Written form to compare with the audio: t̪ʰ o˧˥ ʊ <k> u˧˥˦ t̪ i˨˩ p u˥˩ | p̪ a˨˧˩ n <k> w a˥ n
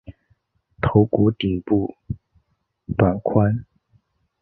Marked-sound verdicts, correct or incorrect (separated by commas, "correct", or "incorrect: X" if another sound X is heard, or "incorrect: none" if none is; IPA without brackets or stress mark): correct, incorrect: kʰ